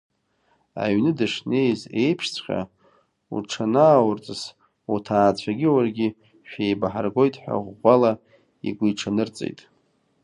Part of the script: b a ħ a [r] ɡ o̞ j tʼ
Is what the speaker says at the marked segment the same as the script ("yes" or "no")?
yes